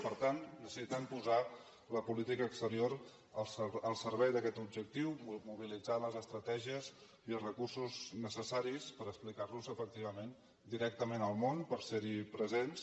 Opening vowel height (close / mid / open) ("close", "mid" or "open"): mid